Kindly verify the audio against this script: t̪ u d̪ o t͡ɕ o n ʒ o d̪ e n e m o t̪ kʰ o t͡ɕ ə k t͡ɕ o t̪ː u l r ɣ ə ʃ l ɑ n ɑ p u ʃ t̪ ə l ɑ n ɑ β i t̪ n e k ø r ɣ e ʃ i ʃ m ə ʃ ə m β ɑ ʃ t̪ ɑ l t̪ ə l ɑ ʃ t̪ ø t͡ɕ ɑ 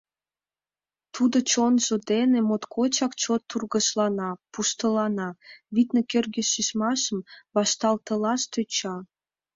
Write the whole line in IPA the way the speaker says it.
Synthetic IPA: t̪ u d̪ o t͡ɕ o n ʒ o d̪ e n e m o t̪ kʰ o t͡ɕ ɑ k t͡ɕ o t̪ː u r ɣ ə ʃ l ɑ n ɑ p u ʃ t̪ ə l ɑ n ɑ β i t̪ n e k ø r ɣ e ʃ i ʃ m ɑ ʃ ə m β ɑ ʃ t̪ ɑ l t̪ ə l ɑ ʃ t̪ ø t͡ɕ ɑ